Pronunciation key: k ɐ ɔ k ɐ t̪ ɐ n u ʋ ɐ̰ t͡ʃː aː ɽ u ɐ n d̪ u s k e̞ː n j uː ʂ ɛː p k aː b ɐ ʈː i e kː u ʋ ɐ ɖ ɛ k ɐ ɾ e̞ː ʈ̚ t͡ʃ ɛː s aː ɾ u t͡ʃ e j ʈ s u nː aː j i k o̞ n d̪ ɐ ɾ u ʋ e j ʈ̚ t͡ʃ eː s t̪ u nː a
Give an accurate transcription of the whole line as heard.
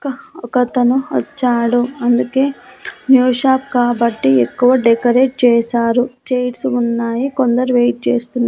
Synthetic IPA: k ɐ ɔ k ɐ t̪ ɐ n u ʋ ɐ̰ t͡ʃː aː ɽ u ɐ n d̪ u k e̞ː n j uː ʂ aː p k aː b ɐ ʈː i e kː u ʋ ɐ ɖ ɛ k ɐ ɾ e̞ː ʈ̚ t͡ʃ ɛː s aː ɾ u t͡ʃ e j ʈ s u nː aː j i k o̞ n d̪ ɐ ɾ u ʋ e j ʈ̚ t͡ʃ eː s t̪ u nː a